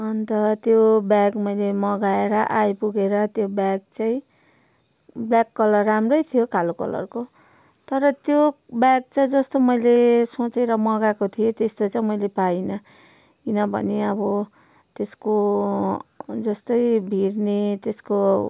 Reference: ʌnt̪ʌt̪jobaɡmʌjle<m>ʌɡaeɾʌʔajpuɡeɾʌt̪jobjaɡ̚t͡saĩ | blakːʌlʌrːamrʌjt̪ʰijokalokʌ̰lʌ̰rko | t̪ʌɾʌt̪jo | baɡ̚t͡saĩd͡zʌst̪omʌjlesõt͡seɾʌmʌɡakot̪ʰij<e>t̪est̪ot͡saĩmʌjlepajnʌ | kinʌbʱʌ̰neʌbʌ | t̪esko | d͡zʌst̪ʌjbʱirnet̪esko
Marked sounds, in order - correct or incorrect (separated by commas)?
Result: correct, correct